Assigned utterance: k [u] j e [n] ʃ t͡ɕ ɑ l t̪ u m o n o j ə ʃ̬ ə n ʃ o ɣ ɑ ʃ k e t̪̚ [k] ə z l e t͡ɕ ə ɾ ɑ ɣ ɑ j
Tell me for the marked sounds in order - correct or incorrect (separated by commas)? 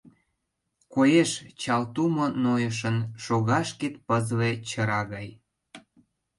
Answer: incorrect, incorrect, incorrect